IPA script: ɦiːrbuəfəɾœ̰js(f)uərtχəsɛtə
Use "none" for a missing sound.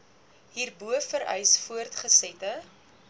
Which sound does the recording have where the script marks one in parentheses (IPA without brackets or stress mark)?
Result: f